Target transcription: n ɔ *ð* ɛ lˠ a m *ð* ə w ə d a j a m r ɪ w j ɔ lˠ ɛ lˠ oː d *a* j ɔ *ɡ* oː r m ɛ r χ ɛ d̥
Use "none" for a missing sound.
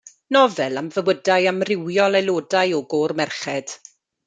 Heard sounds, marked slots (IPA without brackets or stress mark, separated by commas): v, v, a, ɡ